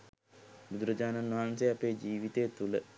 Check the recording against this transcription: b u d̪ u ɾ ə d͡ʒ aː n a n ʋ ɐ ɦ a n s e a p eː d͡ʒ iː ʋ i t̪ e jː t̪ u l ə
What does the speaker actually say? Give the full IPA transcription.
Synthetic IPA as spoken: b u d̪ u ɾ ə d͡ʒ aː n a n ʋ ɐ ɦ a n s e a p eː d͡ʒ iː ʋ i t̪ e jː t̪ u l ə